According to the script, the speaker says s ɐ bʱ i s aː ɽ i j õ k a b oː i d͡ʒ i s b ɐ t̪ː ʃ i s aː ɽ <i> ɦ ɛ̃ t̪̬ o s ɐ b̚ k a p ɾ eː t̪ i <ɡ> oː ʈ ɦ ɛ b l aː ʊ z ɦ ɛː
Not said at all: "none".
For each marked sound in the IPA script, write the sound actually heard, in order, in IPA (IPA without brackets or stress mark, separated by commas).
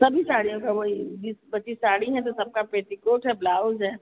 i, k